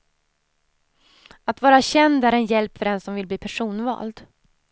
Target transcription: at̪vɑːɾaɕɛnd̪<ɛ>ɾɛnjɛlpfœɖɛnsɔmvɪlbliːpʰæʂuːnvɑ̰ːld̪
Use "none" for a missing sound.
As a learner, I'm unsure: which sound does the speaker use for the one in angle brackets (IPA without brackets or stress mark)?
æ